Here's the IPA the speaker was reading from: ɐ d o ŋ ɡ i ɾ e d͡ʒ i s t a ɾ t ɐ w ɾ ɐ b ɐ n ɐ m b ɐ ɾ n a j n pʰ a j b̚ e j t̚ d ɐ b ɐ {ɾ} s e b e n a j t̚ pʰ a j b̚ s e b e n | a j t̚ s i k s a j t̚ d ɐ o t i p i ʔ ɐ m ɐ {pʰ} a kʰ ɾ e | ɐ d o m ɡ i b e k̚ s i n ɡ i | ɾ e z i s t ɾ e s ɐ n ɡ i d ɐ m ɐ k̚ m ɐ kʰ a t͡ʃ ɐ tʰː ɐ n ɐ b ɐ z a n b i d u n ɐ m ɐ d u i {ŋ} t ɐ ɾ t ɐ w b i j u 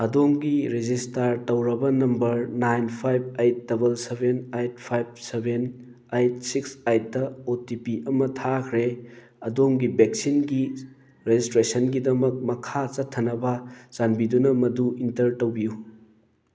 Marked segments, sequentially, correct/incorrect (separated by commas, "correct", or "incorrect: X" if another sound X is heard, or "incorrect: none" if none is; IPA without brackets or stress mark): incorrect: l, incorrect: tʰ, incorrect: n